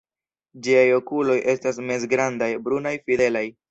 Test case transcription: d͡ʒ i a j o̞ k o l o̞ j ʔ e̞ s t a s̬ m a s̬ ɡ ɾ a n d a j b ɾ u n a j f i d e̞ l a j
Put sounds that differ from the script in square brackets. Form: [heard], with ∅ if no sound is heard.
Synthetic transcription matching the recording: d͡ʒ i a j o̞ k [u] l o̞ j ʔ e̞ s t a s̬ m [e] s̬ ɡ ɾ a n d a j b ɾ u n a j f i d e̞ l a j